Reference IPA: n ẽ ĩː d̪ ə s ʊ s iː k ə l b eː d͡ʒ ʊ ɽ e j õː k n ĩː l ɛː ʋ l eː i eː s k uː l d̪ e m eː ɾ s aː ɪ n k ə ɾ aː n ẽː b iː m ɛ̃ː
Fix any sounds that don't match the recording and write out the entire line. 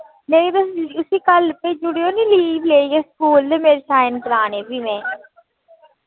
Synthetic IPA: n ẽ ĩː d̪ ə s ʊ s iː k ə l p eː d͡ʒ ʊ ɽ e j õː n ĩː l iː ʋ l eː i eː s k uː l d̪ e m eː ɾ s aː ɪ n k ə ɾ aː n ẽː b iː m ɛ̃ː